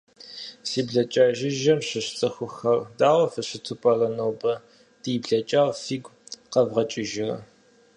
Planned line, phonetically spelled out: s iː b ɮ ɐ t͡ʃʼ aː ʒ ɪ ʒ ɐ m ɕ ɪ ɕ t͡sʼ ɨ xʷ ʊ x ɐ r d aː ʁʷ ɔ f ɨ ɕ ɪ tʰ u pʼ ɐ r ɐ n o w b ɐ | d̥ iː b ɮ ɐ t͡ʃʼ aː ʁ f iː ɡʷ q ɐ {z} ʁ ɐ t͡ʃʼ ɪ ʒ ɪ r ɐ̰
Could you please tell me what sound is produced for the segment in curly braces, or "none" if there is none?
v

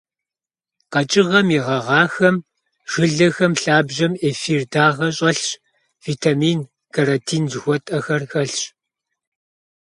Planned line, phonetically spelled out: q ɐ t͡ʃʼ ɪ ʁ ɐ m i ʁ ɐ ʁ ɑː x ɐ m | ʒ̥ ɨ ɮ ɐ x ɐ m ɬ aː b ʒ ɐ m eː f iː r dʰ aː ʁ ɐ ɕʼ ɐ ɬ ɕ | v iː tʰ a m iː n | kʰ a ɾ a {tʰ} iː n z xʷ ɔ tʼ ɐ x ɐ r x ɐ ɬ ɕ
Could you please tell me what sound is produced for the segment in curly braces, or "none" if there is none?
tʰ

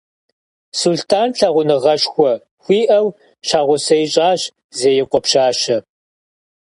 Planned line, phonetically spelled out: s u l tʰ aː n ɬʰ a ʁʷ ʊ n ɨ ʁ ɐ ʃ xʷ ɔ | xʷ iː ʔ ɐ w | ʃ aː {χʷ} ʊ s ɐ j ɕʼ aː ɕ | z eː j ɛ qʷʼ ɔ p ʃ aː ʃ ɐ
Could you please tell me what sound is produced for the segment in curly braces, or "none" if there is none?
ʁʷ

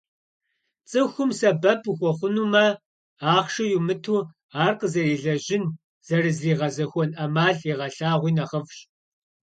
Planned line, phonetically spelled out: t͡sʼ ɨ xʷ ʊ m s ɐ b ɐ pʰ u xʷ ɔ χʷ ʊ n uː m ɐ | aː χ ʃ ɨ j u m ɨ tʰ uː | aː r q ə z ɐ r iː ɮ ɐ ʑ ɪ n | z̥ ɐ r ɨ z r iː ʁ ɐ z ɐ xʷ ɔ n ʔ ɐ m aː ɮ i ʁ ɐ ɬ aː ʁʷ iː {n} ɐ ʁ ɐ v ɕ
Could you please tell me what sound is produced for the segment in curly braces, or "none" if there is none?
n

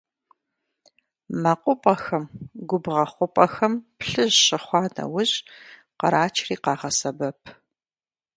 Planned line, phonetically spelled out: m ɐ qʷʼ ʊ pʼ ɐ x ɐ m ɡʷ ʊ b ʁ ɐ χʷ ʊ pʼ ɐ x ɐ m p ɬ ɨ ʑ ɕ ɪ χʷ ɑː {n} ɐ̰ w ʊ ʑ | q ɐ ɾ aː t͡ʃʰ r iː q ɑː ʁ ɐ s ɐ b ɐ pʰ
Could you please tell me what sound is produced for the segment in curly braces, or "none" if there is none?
n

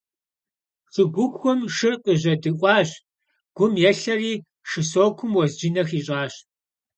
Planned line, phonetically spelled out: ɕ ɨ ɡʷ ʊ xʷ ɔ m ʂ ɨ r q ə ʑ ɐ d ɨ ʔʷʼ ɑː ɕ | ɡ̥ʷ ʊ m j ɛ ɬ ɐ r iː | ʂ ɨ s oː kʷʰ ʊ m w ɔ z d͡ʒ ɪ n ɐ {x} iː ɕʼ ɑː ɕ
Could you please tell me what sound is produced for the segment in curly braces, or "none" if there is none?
x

